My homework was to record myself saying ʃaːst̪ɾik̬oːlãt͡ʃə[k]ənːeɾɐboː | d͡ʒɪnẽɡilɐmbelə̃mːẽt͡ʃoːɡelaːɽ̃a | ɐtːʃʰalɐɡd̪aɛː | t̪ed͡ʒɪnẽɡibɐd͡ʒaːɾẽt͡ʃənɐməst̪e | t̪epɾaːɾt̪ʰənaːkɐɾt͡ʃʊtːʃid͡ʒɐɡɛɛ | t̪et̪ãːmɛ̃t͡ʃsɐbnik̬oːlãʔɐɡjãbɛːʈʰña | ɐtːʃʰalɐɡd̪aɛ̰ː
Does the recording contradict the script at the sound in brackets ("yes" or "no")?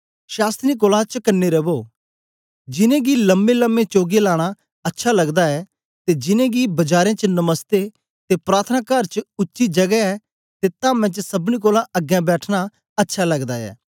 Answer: no